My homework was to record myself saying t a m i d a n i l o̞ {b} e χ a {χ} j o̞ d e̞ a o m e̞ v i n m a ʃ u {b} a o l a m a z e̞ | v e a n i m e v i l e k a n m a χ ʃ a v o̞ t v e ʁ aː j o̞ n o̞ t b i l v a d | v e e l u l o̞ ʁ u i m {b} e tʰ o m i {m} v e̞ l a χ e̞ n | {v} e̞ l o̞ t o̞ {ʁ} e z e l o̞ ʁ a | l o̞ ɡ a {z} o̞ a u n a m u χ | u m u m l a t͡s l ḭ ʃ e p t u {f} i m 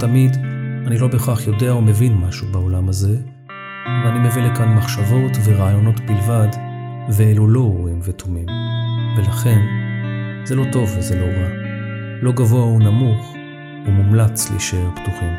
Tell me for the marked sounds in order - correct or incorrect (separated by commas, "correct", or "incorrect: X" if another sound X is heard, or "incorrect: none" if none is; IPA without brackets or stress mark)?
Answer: correct, correct, correct, incorrect: v, correct, incorrect: z, incorrect: v, incorrect: v, incorrect: χ